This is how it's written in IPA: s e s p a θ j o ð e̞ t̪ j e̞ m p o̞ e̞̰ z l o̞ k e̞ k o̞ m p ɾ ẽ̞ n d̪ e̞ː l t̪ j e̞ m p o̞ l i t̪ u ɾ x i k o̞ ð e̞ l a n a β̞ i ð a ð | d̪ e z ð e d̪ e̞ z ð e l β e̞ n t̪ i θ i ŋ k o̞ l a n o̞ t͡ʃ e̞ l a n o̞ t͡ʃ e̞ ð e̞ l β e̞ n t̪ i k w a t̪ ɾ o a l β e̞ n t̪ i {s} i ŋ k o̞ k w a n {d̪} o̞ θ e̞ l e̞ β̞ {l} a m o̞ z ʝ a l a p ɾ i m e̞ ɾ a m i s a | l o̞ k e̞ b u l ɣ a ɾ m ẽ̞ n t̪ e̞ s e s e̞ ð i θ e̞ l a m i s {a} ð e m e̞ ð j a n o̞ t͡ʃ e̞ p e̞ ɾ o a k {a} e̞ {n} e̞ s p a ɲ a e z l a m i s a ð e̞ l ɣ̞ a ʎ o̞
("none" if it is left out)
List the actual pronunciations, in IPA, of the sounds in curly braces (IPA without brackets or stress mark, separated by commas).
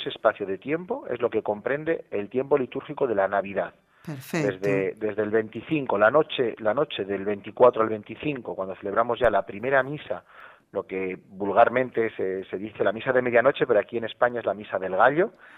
θ, d̪, ɾ, a, i, n